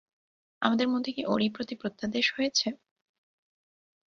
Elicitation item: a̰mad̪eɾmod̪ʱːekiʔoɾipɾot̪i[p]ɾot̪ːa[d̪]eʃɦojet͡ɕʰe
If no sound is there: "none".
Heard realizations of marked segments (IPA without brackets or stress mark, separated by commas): p, d̪